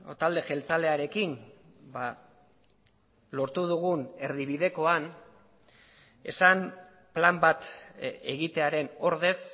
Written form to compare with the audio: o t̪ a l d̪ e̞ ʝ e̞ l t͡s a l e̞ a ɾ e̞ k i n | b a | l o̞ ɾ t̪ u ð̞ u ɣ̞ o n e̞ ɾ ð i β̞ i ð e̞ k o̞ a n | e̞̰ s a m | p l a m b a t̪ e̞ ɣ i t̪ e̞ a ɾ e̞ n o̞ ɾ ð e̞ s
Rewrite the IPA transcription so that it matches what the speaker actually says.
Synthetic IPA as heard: o t̪ a l d̪ e̞ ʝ e̞ l t͡s a l e̞ a ɾ e̞ k i n | b a | l o̞ ɾ t̪ u ð̞ u ɣ̞ u n e̞ ɾ ð i β̞ i ð e̞ k o̞ a n | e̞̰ s a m | p l a m b a t̪ e̞ ɣ i t̪ e̞ a ɾ e̞ n o̞ ɾ ð e̞ s